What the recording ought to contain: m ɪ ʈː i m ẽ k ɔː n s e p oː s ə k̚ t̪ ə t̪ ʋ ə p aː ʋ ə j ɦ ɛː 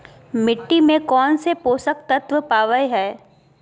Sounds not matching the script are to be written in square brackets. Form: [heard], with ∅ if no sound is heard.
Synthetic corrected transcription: m ɪ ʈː i m ẽ k ɔː n s e p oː s ə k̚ t̪ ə t̪ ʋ ə p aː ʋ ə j ɦ ɛː